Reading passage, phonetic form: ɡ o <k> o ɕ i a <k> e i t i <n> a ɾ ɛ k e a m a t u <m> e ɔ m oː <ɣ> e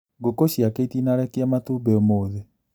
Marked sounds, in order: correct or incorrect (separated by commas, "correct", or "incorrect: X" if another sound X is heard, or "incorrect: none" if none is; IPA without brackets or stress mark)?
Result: correct, correct, correct, incorrect: b, incorrect: ð